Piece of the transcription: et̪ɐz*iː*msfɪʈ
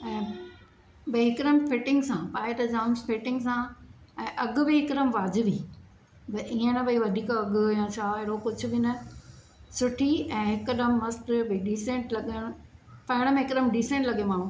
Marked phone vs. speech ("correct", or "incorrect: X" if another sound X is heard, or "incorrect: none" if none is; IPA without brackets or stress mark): incorrect: aː